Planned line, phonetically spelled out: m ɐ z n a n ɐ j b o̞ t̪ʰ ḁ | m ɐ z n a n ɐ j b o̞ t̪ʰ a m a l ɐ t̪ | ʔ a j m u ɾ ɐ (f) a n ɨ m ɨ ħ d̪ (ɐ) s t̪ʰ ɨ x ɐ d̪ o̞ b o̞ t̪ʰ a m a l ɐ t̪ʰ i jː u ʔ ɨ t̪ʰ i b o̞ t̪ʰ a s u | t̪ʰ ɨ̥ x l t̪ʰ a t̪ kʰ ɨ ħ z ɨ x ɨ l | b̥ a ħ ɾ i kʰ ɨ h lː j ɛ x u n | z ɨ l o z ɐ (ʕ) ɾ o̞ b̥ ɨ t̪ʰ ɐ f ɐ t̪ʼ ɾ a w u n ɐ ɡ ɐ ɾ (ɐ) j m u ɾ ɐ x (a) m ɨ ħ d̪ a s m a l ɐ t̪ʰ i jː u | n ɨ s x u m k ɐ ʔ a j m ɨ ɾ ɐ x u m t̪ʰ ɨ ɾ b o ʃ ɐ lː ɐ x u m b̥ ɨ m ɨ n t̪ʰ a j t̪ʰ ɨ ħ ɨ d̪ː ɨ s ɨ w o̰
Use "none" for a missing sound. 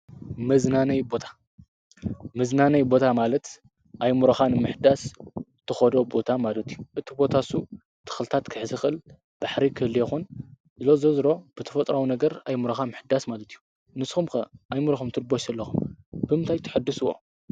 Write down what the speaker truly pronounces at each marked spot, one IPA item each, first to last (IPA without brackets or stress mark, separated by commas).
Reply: x, a, z, a, a